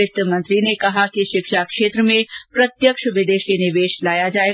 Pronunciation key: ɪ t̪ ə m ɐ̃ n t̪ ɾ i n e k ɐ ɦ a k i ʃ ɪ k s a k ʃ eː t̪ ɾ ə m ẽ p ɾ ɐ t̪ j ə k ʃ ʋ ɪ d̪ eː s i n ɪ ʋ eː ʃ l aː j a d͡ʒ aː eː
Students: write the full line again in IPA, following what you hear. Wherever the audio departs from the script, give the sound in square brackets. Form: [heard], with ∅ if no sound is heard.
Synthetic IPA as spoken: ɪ t̪ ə m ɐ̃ n t̪ ɾ i n e k ɐ ɦ a k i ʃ ɪ k [ʃ] a k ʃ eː t̪ ɾ ə m ẽ p ɾ ɐ t̪ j ə k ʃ ʋ ɪ d̪ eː [ʃ] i n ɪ ʋ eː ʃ l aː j a d͡ʒ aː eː